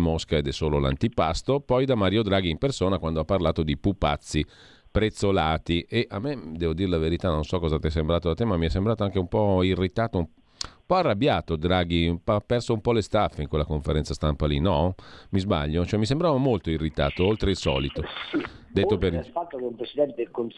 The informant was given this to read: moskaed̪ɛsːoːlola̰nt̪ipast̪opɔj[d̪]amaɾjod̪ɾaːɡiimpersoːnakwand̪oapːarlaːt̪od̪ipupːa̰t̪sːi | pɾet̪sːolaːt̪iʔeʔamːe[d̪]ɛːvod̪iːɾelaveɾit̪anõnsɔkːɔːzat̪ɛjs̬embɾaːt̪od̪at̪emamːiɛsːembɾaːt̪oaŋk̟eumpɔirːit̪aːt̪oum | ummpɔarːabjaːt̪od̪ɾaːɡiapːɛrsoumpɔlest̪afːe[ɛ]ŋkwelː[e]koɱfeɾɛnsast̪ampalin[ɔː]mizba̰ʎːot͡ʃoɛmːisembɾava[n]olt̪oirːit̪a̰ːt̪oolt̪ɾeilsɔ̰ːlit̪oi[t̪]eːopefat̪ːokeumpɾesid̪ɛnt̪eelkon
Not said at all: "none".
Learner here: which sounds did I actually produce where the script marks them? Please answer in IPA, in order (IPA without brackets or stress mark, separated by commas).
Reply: d̪, d̪, i, a, ɔ, m, d̪